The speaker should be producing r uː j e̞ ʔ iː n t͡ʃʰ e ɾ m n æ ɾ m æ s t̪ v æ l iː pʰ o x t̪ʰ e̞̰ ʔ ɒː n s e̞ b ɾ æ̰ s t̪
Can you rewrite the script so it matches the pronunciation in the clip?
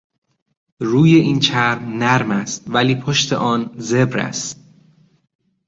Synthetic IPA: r uː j e̞ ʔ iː n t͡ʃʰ æ ɾ m n æ ɾ m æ s t̪ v æ l iː pʰ o ʃ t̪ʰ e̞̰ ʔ ɒː n z e̞ b ɾ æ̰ s t̪